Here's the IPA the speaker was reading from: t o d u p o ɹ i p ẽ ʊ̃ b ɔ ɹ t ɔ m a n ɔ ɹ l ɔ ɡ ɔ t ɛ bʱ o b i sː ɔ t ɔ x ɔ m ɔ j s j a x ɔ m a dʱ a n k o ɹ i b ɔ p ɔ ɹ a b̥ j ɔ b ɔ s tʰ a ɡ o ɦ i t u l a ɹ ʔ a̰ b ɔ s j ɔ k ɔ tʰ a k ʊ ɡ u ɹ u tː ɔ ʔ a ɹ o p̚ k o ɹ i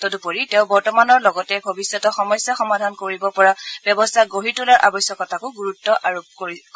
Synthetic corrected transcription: t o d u p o ɹ i t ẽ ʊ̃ b ɔ ɹ t ɔ m a n ɔ ɹ l ɔ ɡ ɔ t ɛ bʱ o b i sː ɔ t ɔ x ɔ m ɔ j s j a x ɔ m a dʱ a n k o ɹ i b ɔ p ɔ ɹ a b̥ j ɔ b ɔ s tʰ a ɡ o ɦ i t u l a ɹ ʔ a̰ b ɔ s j ɔ k ɔ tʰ a k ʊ ɡ u ɹ u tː ɔ ʔ a ɹ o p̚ k o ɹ i